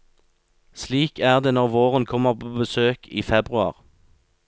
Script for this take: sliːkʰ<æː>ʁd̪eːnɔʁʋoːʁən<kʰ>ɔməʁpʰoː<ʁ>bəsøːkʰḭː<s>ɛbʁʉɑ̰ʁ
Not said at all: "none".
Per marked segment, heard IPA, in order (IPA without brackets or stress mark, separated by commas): æː, kʰ, none, f